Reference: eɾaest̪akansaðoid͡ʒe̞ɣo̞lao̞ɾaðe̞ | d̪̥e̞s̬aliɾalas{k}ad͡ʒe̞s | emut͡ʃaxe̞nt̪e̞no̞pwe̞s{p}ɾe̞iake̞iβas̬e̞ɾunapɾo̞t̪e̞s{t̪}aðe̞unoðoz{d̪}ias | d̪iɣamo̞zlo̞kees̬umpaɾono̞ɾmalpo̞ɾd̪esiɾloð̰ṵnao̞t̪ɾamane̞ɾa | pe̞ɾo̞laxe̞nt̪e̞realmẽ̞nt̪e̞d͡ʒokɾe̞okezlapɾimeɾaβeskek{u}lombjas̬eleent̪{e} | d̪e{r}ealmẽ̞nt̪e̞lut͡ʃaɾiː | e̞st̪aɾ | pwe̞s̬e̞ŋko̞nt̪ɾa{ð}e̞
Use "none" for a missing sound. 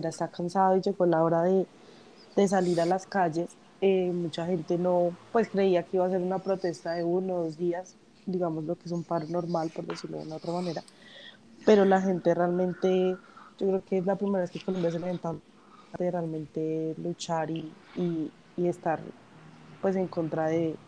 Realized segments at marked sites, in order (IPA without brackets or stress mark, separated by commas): k, k, t̪, d̪, o, a, r, ð